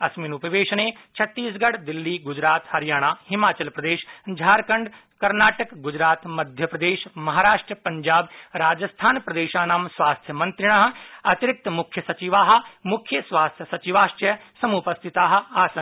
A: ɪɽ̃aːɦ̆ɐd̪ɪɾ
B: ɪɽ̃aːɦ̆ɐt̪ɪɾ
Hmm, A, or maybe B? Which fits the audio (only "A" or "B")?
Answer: B